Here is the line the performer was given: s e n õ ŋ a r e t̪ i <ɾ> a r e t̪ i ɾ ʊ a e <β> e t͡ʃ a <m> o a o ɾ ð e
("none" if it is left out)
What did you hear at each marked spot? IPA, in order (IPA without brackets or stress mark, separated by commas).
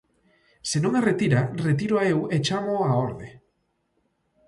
ɾ, w, m